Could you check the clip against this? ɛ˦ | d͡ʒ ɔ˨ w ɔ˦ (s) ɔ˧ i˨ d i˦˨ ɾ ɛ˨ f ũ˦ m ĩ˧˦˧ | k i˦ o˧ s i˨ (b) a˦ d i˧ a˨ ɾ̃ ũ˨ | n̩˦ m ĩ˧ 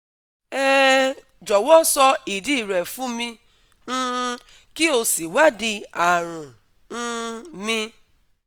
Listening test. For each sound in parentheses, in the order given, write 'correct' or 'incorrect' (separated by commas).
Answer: correct, incorrect